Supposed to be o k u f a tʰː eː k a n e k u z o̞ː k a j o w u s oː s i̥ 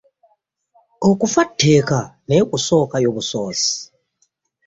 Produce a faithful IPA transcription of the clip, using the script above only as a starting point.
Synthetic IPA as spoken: o k u f a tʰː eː k a n e k u s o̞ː k a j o β u s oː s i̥

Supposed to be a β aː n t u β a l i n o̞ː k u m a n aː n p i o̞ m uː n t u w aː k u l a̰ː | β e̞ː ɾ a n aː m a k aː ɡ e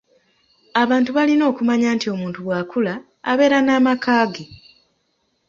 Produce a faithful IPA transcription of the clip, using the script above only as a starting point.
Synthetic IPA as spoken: a β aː n t u β a l i n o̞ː k u m a ɲ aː n t i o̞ m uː n t u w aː k u l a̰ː | β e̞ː ɾ a n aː m a k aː ɡ e

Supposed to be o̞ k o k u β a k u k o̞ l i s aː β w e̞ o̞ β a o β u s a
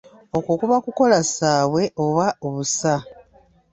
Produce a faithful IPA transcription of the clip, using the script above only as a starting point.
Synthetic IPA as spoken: o̞ k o k u β a k u k o̞ l a s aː β w e̞ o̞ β a o β u s a

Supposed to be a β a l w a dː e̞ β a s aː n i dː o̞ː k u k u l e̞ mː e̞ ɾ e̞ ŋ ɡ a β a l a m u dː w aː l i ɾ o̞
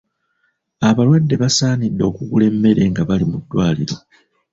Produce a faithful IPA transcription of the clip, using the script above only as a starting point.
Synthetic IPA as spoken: a β a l w a dː e̞ β a s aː n i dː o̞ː k u ɡ u l e̞ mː e̞ ɾ e̞ ŋ ɡ a β a l i m u dː w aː l i ɾ o̞

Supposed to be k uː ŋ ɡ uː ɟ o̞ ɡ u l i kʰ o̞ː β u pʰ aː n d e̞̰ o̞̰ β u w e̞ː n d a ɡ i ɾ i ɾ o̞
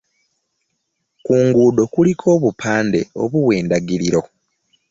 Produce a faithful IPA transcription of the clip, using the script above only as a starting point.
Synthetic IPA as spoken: k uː ŋ ɡ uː d o̞ k u l i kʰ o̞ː β u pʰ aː n d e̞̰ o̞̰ β u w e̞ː n d a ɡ i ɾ i ɾ o̞

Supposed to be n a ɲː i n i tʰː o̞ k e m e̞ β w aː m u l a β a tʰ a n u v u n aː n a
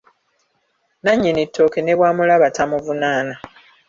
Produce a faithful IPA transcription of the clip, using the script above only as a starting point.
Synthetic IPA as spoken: n a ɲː i n i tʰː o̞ k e n e̞ β w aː m u l a β a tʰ a m u v u n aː n a

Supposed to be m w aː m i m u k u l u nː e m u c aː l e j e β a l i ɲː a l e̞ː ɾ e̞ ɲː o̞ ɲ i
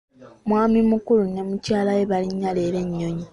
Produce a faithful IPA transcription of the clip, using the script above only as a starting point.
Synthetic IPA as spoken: m w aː m i m u k u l u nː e m u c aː l a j e β a l i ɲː a l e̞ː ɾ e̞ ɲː o̞ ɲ i

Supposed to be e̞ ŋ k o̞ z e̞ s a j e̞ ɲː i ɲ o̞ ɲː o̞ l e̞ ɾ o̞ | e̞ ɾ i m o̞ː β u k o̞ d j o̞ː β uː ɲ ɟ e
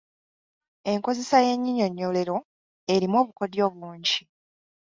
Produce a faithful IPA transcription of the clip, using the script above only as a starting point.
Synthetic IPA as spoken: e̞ ŋ k o̞ z e̞ s a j e̞ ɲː i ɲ o̞ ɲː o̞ l e̞ ɾ o̞ | e̞ ɾ i m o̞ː β u k o̞ d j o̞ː β uː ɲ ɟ i

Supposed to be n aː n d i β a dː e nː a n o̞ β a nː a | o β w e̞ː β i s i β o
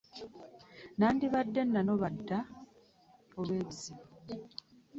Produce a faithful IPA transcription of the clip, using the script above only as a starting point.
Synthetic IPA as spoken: n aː n d i β a dː e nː a n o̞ β a dː a | o β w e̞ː β i z i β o

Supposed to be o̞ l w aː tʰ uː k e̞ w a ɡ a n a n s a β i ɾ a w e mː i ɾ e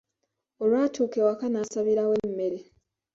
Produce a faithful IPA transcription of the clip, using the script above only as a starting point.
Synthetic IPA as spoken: o̞ l w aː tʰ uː k e̞ w a k a n a s a β i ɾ a w e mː e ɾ e

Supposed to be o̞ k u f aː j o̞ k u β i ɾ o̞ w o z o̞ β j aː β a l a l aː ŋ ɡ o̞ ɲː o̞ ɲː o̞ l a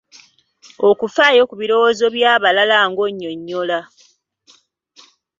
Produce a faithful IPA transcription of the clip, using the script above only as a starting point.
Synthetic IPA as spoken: o̞ k u f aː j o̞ k u β i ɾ o̞ w o z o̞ β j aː β a l a l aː ŋ ɡ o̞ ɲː o̞ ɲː o̞ l a

